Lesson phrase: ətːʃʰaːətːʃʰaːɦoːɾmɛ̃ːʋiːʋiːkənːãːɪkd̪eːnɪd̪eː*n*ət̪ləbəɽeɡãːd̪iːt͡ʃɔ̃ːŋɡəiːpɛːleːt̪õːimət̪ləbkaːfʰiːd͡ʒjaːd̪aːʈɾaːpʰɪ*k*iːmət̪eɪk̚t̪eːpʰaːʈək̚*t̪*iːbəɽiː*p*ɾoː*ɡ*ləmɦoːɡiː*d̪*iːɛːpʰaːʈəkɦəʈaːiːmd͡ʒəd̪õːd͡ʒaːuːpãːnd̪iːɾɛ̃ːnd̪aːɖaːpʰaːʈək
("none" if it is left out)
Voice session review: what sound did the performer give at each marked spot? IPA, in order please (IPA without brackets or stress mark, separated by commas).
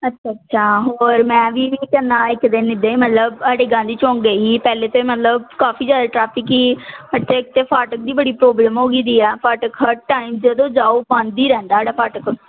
m, k, d̪, p, b, d̪